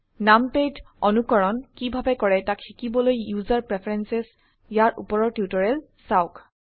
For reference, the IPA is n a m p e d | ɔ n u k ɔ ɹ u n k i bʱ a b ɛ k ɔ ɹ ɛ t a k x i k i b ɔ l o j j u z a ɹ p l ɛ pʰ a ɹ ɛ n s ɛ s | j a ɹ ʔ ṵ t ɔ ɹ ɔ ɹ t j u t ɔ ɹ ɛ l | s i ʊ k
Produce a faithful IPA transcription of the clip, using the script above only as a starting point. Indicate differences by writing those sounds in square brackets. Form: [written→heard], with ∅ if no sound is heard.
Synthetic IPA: n a m p e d | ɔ n u k ɔ ɹ [u→ɔ] n k i bʱ a b ɛ k ɔ ɹ ɛ t a k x i k i b ɔ l o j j u z a ɹ p [l→ɹ] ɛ pʰ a ɹ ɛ n s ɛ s | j a ɹ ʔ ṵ [t→p] ɔ ɹ ɔ ɹ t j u t ɔ ɹ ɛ l | s [i→a] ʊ k

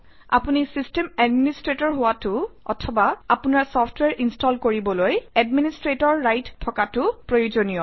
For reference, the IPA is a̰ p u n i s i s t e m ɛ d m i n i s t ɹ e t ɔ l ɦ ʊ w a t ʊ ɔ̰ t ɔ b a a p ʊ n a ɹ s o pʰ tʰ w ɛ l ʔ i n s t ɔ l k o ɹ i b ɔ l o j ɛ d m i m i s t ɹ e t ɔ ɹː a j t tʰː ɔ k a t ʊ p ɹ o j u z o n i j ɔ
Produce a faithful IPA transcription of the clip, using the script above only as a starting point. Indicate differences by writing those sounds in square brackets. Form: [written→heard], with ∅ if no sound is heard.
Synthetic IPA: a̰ p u n i s i s t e m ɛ d m i n i s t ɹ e t ɔ [l→ɹ] ɦ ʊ w a t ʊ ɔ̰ [t→tʰ] ɔ b a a p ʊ n a ɹ s [o→ɔ] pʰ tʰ w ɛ [l→ɹ] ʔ i n s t ɔ l k o ɹ i b ɔ l o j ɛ d m i [m→n] i s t ɹ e t ɔ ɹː a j t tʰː ɔ k a t ʊ p ɹ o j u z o n i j ɔ

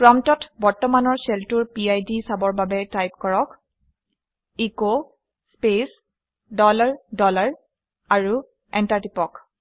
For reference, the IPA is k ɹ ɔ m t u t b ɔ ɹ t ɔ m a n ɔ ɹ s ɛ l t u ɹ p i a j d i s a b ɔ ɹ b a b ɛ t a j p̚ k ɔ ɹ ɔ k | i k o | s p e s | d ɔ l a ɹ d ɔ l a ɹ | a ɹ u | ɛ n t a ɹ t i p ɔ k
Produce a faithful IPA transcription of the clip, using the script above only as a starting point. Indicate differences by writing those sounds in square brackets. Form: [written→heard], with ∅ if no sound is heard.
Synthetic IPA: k ɹ ɔ m t [u→ɔ] t b ɔ ɹ t ɔ m a n ɔ ɹ s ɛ l t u ɹ p i a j d i s a b ɔ ɹ b a b ɛ t a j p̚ k ɔ ɹ ɔ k | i k o | s p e s | d ɔ l a ɹ d ɔ l a ɹ | a ɹ u | ɛ n t a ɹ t i p ɔ k

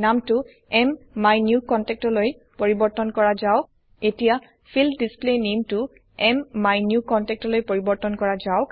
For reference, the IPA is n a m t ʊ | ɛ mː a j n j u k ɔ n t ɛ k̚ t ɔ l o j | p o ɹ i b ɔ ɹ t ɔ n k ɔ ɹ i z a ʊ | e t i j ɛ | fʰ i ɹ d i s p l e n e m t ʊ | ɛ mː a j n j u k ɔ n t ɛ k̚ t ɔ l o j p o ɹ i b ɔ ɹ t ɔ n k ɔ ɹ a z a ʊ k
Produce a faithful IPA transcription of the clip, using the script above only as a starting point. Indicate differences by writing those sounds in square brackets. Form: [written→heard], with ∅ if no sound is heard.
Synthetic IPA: n a m t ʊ | ɛ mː a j n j u k ɔ n t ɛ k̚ t ɔ l o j | p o ɹ i b ɔ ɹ t ɔ n k ɔ ɹ [i→a] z a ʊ | e t i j [ɛ→a] | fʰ i [ɹ→l] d i s p l e n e m t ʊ | ɛ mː a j n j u k ɔ n t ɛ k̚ t ɔ l o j p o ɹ i b ɔ ɹ t ɔ n k ɔ ɹ a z a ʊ k

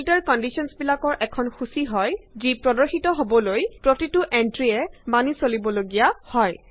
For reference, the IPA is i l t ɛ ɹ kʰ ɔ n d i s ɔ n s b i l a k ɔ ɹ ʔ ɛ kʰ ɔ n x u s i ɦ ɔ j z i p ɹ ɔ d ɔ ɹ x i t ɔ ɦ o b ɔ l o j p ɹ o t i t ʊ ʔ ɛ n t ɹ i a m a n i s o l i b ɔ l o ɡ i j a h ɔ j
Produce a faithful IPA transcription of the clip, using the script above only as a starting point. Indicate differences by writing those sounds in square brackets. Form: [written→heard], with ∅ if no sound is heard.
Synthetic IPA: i l t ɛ ɹ [kʰ→k] ɔ n d i s ɔ n s b i l a k ɔ ɹ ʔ ɛ kʰ ɔ n x u s i ɦ ɔ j z i p ɹ ɔ d ɔ ɹ x i t ɔ ɦ o b ɔ l o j p ɹ o t i t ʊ ʔ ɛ n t ɹ i [a→ɛ] m a n i s o l i b ɔ l o ɡ i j a h ɔ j

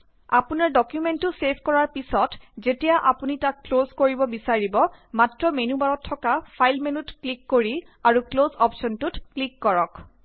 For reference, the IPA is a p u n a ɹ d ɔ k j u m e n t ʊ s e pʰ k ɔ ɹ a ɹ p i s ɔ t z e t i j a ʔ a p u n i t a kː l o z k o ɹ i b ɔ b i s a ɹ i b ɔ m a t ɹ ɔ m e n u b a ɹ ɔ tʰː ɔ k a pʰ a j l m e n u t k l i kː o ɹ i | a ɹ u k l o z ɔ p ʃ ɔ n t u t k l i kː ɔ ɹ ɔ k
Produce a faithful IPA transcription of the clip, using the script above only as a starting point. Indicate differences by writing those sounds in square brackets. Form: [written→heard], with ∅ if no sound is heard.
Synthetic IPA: a p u n a ɹ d ɔ k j u m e n t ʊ s e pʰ k ɔ ɹ a ɹ p i s ɔ t z e t i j a ʔ a p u n i t a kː l o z k o ɹ i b ɔ b i s a ɹ i b ɔ m a t ɹ ɔ m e n u b a ɹ ɔ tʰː ɔ k a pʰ a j l m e n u t k l i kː o ɹ i | a ɹ u k l o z ɔ p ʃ ɔ n t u t k l i kː ɔ ɹ ɔ k

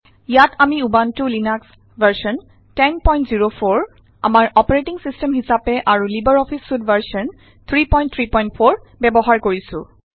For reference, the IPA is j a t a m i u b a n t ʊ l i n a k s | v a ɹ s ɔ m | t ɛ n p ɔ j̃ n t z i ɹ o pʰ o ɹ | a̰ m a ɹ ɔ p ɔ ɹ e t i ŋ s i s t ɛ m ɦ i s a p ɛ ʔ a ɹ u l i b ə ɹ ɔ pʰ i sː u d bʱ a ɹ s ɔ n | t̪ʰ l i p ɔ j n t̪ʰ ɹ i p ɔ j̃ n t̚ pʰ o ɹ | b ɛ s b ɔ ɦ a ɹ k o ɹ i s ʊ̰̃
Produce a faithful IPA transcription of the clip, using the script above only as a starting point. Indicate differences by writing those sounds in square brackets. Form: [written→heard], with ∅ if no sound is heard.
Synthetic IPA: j a t a m i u b a n t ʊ l i n a k s | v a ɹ s ɔ [m→n] | t ɛ n p ɔ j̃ n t z i ɹ o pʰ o ɹ | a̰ m a ɹ ɔ p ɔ ɹ e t i ŋ s i s t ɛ m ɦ i s a p ɛ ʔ a ɹ u l i b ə ɹ ɔ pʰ i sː u d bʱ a ɹ s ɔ n | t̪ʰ [l→ɹ] i p ɔ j n t̪ʰ ɹ i p ɔ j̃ n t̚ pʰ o ɹ | b ɛ [s→∅] b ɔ ɦ a ɹ k o ɹ i s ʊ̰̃

